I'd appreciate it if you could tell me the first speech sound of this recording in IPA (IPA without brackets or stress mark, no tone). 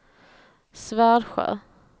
s